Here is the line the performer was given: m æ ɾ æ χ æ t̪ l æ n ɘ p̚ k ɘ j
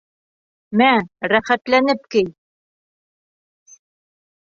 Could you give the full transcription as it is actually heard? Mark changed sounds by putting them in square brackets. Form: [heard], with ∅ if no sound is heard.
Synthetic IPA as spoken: m æ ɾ æ χ æ t̪ l æ n ɘ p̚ k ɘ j